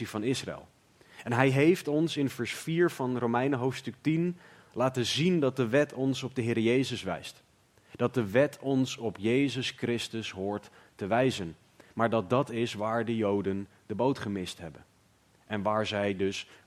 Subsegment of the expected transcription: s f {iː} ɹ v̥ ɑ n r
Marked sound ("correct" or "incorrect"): correct